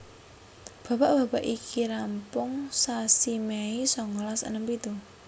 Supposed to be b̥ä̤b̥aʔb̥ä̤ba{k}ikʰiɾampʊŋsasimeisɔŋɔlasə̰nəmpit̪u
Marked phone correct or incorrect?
incorrect